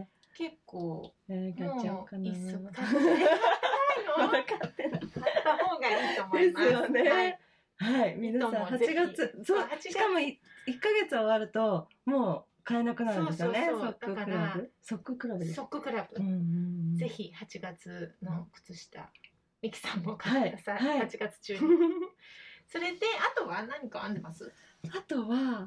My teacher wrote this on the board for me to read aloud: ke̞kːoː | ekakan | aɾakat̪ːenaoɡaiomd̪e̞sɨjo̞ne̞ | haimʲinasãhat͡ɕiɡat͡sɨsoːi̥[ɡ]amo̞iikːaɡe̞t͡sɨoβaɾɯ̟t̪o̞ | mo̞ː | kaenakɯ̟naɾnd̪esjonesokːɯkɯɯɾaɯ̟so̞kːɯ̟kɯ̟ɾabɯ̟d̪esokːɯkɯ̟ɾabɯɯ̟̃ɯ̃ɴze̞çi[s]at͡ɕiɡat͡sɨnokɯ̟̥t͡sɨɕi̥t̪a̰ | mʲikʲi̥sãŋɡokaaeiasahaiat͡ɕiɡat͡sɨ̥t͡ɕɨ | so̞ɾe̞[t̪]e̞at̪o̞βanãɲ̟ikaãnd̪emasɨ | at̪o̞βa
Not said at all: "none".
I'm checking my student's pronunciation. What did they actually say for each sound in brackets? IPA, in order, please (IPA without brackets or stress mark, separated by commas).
k, h, d̪